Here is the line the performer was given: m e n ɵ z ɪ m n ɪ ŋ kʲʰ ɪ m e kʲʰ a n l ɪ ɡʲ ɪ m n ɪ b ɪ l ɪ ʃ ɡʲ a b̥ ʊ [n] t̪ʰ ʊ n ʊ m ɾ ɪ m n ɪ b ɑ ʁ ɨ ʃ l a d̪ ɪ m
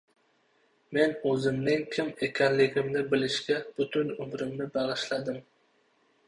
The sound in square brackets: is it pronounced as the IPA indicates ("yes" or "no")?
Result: no